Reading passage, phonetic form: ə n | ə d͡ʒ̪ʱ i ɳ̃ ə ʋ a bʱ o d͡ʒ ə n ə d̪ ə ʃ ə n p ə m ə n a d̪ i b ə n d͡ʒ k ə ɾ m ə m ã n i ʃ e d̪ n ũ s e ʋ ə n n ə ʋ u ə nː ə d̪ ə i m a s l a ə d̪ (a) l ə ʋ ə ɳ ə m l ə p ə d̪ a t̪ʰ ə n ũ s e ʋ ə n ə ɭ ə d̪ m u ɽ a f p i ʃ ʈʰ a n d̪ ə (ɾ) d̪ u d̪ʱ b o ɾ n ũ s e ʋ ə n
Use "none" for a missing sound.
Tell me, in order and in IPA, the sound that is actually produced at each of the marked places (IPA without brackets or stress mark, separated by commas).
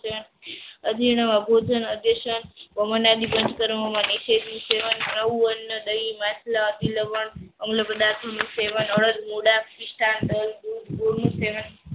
i, l